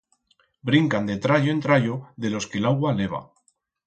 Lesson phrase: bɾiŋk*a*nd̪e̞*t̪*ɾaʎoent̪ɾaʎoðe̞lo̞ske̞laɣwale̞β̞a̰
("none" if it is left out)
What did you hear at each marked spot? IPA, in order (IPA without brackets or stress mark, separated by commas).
a, t̪